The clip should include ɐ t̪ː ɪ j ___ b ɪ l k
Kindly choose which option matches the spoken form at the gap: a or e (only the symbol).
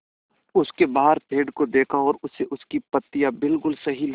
a